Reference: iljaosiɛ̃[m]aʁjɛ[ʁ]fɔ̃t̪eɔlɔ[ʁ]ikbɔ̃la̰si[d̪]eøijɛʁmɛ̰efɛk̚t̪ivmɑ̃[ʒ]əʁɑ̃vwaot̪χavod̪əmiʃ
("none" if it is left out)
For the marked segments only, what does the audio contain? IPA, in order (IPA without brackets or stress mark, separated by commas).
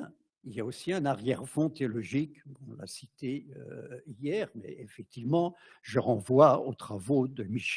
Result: n, ʁ, ʒ, t̪, ʒ